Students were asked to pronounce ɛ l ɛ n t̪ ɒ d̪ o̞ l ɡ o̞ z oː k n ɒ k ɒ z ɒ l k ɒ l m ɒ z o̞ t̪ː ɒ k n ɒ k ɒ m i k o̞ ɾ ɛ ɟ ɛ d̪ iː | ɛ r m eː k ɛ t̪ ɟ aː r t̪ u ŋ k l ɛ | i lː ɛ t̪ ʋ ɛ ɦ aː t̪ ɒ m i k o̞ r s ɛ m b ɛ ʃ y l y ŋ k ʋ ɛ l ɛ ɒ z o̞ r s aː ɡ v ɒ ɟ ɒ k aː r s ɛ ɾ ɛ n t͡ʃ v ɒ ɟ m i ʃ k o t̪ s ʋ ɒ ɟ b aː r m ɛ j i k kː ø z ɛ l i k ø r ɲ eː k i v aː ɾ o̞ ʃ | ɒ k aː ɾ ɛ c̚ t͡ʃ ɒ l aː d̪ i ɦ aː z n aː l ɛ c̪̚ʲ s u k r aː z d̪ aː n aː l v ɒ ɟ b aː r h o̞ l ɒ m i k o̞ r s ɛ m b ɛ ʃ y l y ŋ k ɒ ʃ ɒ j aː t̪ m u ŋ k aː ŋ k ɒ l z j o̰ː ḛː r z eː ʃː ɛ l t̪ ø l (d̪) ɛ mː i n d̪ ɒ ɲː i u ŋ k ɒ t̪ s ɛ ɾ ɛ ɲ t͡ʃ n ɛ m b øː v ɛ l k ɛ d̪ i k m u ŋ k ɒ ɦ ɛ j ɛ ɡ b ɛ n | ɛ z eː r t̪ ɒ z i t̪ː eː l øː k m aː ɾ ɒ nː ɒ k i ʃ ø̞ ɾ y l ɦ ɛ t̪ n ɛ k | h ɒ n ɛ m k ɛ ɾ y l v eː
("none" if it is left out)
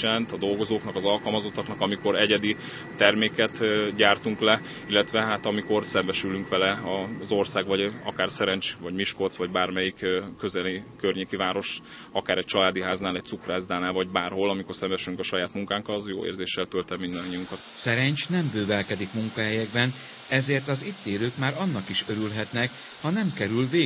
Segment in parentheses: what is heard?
t̪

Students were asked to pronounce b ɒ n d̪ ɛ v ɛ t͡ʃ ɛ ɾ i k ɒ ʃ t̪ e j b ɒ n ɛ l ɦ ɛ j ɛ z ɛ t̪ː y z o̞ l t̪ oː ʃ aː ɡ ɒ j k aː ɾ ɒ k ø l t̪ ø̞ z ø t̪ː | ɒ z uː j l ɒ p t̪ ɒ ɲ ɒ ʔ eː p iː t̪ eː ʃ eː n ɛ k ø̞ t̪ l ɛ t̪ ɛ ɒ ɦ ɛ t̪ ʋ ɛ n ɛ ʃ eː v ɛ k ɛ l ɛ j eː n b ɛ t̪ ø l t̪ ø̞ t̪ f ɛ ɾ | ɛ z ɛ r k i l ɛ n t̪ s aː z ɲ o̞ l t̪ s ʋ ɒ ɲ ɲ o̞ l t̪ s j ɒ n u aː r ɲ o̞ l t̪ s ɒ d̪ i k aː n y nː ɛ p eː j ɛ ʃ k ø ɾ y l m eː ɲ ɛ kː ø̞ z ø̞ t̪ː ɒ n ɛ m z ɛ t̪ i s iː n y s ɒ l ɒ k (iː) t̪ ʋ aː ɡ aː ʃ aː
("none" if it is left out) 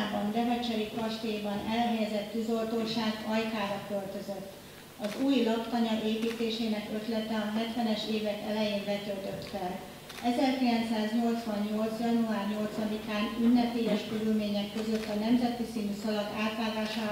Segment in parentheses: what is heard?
aː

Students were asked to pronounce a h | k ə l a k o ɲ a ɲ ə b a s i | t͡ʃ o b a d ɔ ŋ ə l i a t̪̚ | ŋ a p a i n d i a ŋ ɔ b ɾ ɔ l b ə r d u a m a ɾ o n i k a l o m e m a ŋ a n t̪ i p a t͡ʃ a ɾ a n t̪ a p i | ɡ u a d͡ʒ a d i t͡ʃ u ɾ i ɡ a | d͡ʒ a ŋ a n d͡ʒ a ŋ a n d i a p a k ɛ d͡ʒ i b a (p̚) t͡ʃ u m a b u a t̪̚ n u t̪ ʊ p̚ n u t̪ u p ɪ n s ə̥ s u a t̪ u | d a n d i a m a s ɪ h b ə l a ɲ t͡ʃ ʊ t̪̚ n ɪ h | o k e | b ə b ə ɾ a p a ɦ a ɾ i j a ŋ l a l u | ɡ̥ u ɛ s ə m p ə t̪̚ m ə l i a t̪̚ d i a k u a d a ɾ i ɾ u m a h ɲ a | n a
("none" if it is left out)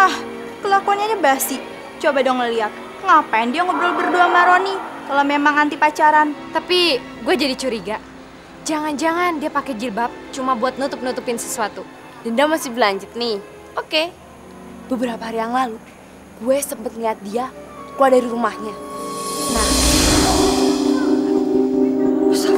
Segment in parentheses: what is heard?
p̚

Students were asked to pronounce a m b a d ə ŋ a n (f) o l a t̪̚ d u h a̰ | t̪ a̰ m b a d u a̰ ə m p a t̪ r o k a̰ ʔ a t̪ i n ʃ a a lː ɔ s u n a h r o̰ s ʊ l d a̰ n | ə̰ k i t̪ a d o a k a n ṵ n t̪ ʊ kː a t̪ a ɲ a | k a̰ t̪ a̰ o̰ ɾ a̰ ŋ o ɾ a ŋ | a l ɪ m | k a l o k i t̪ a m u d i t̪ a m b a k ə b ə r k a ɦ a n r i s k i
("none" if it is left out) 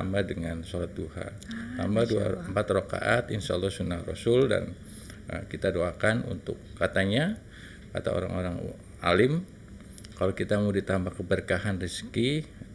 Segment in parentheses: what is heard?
s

